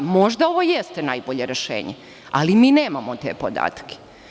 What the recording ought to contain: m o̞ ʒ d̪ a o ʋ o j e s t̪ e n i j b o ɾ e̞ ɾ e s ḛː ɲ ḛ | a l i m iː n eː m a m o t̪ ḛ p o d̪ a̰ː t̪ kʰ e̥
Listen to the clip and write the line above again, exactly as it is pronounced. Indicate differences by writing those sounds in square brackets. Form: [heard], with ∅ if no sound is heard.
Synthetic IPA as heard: m o̞ ʒ d̪ a o ʋ o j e s t̪ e n [a] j b o [ʎ] e̞ ɾ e [ʃ] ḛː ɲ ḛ | a l i m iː n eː m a m o t̪ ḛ p o d̪ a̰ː t̪ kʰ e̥

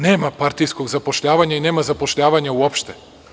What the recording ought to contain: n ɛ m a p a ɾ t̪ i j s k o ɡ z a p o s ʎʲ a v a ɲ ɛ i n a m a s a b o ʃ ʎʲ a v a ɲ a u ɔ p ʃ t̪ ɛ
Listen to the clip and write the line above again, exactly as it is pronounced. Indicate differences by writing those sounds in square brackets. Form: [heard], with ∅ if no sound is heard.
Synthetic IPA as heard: n ɛ m a p a ɾ t̪ i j s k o ɡ z a p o [ʃ] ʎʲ a v a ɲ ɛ i n [ɛ] m a [z] a [p] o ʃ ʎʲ a v a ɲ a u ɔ p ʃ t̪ ɛ

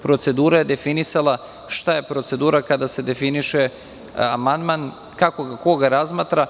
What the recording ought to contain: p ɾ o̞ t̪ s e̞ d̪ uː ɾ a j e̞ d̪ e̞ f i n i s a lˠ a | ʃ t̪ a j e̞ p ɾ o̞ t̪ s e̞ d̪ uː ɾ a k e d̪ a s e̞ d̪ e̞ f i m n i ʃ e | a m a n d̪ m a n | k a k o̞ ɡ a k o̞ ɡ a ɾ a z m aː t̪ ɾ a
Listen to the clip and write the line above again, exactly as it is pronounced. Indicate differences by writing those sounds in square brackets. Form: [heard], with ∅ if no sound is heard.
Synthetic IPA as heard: p ɾ o̞ t̪ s e̞ d̪ uː ɾ a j e̞ d̪ e̞ f i n i s a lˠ a | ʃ t̪ a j e̞ p ɾ o̞ t̪ s e̞ d̪ uː ɾ a k [a] d̪ a s e̞ d̪ e̞ f i [∅] n i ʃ e | a m a n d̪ m a n | k a k o̞ ɡ a k o̞ ɡ a ɾ a z m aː t̪ ɾ a

